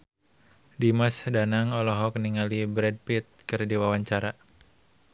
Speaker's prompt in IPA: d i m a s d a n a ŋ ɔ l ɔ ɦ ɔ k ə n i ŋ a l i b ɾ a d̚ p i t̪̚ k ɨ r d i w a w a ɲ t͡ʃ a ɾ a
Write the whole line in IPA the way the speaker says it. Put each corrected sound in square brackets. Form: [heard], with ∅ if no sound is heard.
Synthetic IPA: d i m a s d a n a ŋ ɔ l ɔ ɦ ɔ k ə n i ŋ a l i b ɾ [ɛ] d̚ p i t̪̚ k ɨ r d i w a w a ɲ t͡ʃ a ɾ a